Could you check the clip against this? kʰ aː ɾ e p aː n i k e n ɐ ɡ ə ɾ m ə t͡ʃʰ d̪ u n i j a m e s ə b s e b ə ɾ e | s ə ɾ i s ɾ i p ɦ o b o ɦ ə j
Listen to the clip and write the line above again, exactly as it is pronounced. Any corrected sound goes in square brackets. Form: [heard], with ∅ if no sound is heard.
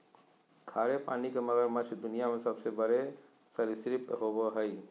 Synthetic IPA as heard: kʰ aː ɾ e p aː n i k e [m] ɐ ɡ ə ɾ m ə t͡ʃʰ d̪ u n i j a m e s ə b s e b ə ɾ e | s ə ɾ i s ɾ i p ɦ o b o ɦ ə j